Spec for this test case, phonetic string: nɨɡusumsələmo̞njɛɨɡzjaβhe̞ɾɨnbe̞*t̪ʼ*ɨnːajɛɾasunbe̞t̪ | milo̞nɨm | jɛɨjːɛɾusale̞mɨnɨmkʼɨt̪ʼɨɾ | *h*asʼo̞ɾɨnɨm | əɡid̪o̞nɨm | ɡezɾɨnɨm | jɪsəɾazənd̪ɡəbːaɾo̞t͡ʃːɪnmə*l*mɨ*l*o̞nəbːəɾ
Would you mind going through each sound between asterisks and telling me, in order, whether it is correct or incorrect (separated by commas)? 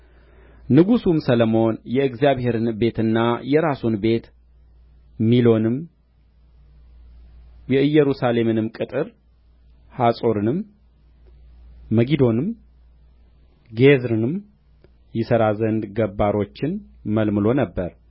incorrect, correct, correct, correct